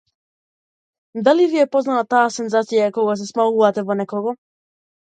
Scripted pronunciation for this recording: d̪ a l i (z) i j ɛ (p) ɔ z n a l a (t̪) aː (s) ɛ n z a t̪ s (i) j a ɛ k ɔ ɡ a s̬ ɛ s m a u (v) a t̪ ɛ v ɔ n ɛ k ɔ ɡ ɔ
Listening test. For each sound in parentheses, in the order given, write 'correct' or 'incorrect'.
incorrect, correct, correct, correct, correct, correct

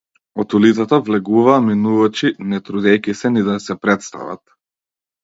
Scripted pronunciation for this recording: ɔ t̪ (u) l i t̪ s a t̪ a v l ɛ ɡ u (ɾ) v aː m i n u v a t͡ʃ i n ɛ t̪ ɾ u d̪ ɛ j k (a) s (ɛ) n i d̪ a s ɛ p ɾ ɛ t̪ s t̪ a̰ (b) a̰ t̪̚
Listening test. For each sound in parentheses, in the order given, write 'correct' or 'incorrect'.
correct, incorrect, incorrect, correct, incorrect

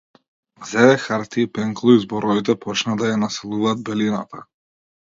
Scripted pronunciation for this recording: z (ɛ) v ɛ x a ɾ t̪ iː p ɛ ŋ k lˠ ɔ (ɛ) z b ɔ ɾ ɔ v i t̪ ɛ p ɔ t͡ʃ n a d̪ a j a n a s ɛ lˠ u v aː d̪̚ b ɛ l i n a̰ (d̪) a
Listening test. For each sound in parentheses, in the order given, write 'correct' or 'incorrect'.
correct, incorrect, incorrect

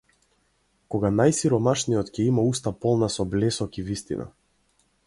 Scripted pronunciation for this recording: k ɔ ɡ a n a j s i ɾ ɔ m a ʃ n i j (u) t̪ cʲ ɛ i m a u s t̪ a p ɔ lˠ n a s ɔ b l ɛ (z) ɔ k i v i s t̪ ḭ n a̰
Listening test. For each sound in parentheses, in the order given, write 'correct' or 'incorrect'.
incorrect, incorrect

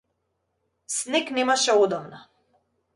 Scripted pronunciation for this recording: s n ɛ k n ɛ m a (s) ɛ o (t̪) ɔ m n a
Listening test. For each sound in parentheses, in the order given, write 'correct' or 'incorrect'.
incorrect, incorrect

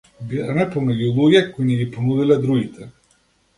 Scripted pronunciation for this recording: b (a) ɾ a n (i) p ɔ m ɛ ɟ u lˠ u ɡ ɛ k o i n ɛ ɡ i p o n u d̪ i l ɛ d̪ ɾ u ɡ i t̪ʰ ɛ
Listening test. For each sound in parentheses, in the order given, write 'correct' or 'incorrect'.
incorrect, incorrect

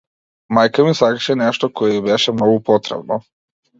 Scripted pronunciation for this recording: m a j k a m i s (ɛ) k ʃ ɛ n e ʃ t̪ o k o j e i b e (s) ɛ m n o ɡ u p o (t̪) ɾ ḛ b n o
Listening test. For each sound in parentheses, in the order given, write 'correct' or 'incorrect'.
incorrect, incorrect, correct

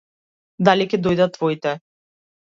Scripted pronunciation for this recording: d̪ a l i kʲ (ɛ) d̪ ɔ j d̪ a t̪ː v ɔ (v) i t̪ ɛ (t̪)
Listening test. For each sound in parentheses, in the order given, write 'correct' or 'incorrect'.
correct, incorrect, incorrect

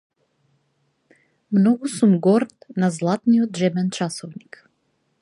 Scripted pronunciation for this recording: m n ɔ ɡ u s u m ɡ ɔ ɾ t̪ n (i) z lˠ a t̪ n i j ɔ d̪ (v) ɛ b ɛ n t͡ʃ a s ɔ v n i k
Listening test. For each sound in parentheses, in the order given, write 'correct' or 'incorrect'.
incorrect, incorrect

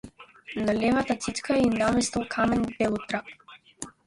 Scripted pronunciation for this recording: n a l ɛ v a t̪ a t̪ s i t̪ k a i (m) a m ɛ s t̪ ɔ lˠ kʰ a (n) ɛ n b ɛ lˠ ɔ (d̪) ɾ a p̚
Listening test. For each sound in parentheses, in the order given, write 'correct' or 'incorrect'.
incorrect, incorrect, incorrect

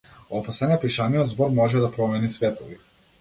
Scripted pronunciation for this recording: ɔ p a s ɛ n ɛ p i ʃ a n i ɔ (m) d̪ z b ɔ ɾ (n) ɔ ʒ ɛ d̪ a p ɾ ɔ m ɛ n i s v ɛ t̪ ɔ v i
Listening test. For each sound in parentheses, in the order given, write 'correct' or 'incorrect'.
incorrect, incorrect

